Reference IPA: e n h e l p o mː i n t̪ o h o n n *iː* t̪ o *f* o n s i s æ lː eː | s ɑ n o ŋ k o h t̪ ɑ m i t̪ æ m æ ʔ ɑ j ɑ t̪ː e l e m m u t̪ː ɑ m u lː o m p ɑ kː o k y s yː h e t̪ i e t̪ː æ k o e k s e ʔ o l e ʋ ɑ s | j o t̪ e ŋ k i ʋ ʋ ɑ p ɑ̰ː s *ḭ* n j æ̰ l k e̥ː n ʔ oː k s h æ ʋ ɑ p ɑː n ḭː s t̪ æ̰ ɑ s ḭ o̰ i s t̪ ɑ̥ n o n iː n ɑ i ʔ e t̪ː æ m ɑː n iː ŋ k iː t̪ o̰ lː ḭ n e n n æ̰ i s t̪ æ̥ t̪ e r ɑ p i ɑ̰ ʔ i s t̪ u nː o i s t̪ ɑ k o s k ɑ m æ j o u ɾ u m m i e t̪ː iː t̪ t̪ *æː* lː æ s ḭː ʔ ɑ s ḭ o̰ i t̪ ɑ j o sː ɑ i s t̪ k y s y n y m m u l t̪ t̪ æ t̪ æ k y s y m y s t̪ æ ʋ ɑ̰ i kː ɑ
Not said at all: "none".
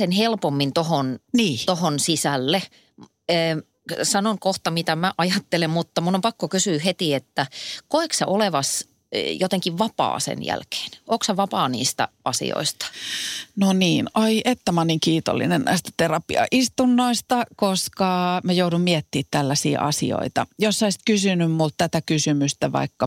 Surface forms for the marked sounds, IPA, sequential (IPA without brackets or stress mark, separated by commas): iː, h, ḛ, æ